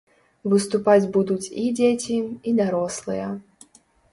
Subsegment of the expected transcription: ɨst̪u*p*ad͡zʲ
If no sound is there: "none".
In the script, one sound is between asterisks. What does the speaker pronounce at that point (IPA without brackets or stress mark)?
p